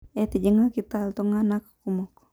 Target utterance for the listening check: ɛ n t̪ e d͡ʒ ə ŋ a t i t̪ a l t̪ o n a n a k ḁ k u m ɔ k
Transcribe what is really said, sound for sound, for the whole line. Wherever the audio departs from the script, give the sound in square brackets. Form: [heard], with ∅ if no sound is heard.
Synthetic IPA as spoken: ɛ [∅] t̪ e d͡ʒ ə ŋ a [k] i t̪ a l t̪ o [ŋ] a n a k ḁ k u m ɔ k